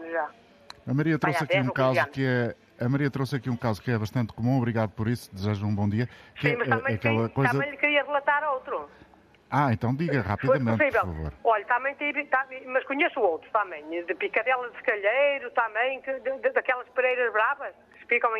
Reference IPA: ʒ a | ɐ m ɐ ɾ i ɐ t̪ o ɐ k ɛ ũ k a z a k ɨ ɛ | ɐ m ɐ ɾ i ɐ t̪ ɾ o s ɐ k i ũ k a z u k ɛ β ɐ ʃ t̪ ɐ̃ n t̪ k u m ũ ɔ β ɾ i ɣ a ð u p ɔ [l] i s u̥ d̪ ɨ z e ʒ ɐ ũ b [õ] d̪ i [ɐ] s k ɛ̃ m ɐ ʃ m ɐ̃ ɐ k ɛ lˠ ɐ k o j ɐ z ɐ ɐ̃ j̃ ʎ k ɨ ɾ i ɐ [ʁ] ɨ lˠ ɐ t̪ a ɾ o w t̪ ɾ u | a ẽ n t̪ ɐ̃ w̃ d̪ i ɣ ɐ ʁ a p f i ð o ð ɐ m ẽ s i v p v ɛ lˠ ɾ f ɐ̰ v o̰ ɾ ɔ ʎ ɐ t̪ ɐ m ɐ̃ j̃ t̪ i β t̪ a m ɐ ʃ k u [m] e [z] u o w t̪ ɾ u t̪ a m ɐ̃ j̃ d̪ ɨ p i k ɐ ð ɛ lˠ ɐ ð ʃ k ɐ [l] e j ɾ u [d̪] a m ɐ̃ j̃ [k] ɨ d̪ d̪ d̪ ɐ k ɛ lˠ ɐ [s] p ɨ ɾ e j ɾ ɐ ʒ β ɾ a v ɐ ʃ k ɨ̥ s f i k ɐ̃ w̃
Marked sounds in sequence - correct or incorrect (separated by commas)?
incorrect, correct, correct, correct, incorrect, incorrect, incorrect, incorrect, correct, incorrect